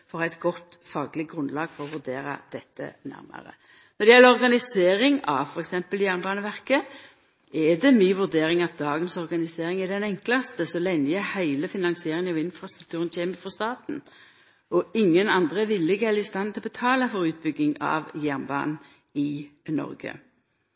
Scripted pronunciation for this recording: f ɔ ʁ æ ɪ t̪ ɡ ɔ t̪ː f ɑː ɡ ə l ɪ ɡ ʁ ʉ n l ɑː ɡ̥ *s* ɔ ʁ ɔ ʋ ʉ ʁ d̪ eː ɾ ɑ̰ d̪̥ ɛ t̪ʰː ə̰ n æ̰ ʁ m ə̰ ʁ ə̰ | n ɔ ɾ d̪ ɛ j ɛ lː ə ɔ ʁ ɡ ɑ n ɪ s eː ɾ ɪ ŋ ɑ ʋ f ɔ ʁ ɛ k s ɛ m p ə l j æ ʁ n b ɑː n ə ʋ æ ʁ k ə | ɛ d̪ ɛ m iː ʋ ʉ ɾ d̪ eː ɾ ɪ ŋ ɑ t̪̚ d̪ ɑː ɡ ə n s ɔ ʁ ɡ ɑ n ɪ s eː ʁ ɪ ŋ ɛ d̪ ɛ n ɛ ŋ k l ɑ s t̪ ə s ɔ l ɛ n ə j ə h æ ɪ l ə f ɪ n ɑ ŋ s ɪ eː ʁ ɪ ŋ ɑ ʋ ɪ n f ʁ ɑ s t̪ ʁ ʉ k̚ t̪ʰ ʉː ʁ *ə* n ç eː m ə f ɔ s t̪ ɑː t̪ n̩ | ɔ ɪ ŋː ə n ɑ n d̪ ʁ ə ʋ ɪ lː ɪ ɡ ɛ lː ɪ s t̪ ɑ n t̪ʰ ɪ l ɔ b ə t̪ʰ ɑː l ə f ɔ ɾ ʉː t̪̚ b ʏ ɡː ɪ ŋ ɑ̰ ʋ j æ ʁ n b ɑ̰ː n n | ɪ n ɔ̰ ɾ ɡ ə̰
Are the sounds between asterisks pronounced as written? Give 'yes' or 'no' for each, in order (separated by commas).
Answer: no, yes